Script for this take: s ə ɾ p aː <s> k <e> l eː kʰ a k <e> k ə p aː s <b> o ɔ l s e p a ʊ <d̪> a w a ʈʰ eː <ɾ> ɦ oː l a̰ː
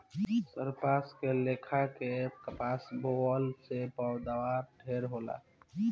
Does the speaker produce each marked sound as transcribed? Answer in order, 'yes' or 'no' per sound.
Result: yes, yes, yes, yes, yes, yes

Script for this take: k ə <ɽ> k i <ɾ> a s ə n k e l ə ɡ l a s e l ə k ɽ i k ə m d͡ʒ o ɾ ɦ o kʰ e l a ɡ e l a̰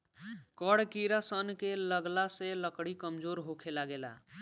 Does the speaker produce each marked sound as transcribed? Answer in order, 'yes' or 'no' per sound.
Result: yes, yes

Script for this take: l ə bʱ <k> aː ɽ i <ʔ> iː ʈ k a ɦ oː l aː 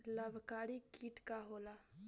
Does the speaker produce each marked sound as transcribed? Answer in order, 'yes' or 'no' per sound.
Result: yes, no

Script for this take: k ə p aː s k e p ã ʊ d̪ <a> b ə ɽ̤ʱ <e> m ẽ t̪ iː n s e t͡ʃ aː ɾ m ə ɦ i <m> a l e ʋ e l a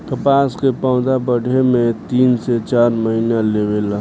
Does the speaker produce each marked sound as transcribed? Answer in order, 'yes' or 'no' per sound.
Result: yes, yes, no

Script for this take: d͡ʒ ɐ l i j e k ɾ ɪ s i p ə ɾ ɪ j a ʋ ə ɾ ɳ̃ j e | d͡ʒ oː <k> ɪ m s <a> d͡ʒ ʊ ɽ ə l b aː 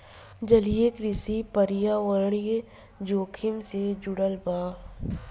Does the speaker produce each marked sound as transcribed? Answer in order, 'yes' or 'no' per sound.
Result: no, no

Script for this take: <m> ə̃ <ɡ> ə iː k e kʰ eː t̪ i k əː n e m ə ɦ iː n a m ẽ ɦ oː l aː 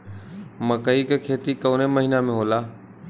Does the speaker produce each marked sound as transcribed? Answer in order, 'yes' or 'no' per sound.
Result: yes, no

